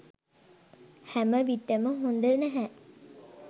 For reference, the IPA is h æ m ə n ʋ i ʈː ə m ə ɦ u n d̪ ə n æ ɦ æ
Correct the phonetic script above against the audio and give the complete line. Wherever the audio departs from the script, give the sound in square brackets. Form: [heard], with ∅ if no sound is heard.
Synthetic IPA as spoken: h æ m ə [∅] ʋ i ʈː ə m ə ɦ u n d̪ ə n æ ɦ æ